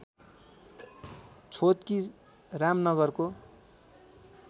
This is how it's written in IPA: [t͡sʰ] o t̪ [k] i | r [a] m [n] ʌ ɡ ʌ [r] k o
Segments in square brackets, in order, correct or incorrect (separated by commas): correct, correct, correct, correct, correct